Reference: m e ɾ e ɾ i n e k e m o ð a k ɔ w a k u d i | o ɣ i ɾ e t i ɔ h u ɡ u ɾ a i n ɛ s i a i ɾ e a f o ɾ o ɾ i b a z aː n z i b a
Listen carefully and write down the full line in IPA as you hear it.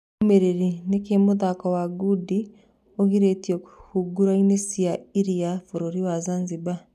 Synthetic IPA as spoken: m e ɾ e ɾ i n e k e m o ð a k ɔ w a ɡ u d i | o ɣ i ɾ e t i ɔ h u ɡ u ɾ a i n e s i a i ɾ i a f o ɾ o ɾ i w a z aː n z i b a